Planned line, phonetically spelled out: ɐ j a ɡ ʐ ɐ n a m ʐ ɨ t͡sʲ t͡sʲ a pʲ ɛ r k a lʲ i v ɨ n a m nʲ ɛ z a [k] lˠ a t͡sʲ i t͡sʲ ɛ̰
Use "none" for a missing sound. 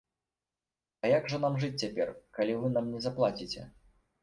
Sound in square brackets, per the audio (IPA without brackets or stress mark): p